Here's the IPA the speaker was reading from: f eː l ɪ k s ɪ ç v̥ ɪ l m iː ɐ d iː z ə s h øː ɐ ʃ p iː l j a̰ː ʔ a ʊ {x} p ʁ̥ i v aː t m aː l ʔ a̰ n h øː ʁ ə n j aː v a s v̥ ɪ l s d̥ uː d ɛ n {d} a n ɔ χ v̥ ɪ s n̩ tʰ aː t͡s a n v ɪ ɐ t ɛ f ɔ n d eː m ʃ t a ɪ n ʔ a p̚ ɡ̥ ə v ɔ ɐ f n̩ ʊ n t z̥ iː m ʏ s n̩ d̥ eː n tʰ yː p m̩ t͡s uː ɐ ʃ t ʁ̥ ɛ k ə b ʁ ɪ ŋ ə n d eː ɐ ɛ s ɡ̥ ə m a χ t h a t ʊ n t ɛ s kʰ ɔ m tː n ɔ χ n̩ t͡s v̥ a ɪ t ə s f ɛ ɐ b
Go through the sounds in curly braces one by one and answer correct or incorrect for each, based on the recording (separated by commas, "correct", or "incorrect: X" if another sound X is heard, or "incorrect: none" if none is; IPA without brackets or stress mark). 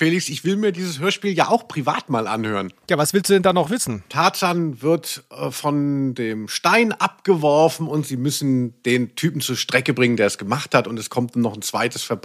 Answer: correct, correct